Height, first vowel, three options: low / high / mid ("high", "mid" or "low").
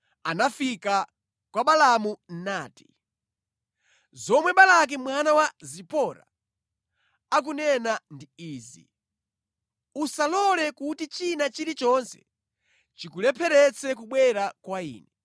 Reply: low